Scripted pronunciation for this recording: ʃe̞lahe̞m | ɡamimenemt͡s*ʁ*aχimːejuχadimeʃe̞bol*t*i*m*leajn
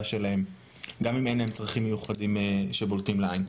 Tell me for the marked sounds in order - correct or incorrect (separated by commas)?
correct, correct, correct